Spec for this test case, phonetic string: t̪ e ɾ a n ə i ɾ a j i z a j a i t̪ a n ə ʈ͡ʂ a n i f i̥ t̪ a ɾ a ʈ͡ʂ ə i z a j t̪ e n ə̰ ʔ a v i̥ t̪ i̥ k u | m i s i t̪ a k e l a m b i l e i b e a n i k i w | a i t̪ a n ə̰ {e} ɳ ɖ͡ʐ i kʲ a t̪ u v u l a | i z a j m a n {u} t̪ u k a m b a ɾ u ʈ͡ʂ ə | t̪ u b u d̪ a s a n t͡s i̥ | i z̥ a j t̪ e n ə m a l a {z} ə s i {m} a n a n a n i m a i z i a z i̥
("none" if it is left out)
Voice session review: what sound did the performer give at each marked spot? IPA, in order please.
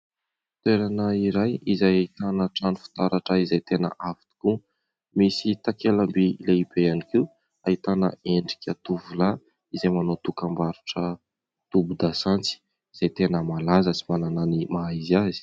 e, o, z, m

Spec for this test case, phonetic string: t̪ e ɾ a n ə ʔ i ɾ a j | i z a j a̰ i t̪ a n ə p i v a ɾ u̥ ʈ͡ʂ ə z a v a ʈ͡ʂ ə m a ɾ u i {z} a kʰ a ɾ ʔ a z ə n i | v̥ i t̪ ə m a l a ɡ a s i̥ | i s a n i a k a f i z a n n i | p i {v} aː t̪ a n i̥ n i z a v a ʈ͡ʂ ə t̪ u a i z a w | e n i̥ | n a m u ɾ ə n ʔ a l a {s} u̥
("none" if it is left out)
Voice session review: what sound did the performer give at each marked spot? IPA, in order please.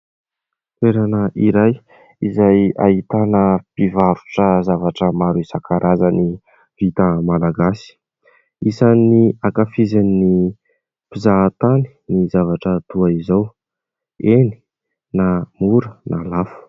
s, z, f

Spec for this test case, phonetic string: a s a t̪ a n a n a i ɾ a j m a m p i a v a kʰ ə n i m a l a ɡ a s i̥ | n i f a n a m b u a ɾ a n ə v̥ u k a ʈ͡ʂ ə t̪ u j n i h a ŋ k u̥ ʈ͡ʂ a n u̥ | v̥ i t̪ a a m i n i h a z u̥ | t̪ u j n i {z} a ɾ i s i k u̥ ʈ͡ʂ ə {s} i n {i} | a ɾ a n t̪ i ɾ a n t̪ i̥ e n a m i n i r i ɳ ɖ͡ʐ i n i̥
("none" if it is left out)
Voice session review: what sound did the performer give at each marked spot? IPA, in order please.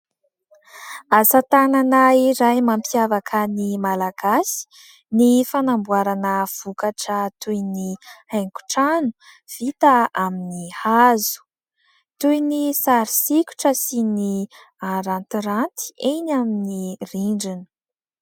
s, s, i

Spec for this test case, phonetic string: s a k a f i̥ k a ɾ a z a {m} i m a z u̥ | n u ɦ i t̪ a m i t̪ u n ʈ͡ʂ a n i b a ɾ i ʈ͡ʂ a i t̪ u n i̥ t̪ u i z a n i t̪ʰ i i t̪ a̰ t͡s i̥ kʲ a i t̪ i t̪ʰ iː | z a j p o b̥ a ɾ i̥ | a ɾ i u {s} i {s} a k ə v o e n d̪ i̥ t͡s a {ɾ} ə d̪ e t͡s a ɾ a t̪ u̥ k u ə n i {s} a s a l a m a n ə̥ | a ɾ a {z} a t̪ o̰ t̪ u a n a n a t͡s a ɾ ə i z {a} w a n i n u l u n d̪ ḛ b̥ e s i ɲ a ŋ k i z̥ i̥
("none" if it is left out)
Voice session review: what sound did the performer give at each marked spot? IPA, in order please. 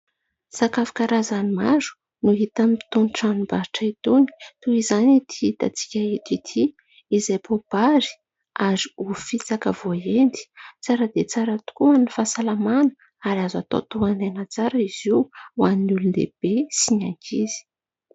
n, f, t͡s, ɾ, f, z, i

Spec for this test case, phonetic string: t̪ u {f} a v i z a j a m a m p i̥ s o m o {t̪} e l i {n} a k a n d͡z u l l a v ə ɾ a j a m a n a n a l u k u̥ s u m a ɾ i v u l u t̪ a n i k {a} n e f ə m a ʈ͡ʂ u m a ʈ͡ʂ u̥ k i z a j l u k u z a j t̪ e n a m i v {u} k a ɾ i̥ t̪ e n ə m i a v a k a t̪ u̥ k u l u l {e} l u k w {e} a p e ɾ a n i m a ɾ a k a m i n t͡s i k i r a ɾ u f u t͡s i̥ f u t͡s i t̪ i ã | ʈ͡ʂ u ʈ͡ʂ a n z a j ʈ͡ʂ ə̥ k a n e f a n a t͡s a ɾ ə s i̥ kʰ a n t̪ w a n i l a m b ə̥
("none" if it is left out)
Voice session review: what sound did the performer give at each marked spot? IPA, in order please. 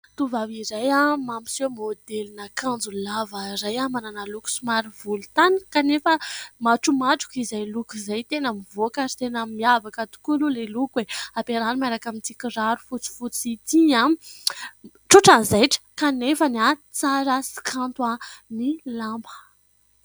v, d̪, n, a, o, e, e

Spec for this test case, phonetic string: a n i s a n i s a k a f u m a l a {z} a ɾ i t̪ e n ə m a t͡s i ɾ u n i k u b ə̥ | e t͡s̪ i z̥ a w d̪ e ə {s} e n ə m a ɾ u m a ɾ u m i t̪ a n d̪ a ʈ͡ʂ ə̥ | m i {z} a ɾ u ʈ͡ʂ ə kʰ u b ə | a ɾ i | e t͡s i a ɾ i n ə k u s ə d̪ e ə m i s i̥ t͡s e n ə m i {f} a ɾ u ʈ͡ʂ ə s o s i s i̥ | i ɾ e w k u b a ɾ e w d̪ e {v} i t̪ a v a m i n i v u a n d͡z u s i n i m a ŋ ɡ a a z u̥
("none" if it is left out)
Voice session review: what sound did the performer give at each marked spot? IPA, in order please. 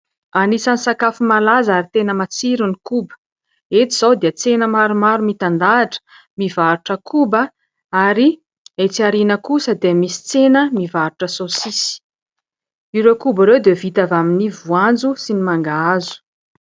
z, t͡s, v, v, v

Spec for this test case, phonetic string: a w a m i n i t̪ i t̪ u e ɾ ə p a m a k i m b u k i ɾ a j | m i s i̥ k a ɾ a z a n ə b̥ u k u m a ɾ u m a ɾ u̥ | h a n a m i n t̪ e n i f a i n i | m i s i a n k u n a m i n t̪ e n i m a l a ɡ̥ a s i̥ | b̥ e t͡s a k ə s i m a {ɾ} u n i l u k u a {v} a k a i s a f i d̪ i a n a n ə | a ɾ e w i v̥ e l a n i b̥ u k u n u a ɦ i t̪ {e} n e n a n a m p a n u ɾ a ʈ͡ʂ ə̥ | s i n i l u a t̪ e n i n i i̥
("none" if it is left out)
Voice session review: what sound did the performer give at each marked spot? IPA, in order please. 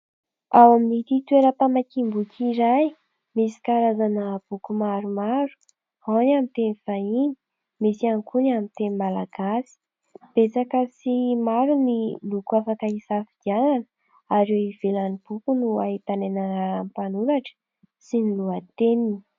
ɾ, f, a

